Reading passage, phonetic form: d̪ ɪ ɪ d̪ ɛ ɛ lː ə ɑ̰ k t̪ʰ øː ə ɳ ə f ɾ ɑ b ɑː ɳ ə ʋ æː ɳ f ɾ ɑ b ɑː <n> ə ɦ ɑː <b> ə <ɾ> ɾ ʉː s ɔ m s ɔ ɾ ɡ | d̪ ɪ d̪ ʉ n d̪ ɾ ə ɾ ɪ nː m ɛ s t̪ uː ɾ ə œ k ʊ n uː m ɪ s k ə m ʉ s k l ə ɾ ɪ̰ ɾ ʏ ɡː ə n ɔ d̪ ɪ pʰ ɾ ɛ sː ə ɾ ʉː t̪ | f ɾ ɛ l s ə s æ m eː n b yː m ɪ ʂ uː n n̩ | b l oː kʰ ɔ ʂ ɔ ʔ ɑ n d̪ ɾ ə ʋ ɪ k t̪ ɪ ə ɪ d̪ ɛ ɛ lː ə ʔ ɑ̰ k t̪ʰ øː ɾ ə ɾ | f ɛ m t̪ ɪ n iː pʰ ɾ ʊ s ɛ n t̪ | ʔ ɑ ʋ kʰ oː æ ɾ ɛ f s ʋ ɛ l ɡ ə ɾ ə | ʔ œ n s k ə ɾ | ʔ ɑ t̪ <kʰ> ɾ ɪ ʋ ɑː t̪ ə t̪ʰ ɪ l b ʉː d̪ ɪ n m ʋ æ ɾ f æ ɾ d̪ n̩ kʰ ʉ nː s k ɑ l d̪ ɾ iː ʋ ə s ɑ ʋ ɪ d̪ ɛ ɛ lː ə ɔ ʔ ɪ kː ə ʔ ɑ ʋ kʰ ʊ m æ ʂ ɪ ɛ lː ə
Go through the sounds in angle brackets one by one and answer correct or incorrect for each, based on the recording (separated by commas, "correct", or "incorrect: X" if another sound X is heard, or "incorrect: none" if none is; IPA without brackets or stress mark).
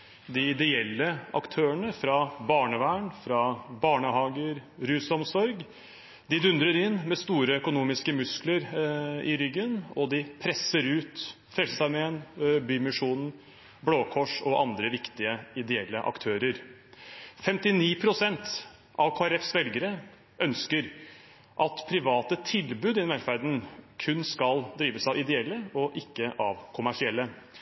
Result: incorrect: ɳ, incorrect: ɡ, correct, incorrect: pʰ